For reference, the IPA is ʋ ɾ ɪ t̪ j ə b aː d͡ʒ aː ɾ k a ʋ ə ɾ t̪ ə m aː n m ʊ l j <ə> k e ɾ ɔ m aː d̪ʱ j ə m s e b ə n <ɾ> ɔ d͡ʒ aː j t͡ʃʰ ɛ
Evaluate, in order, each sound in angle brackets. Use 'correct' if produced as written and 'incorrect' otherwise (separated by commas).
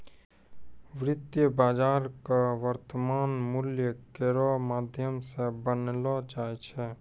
correct, incorrect